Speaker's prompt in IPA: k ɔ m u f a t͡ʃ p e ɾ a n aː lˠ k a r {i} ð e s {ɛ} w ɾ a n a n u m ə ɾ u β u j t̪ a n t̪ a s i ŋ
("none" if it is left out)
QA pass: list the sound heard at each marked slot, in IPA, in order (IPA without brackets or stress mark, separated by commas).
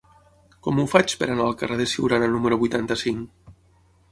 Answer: e, i